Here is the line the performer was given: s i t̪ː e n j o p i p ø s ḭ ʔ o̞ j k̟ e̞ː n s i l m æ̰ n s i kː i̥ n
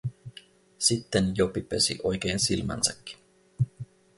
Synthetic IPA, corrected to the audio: s i t̪ː e n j o p i p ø s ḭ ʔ o̞ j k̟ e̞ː n s i l m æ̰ n s æ kː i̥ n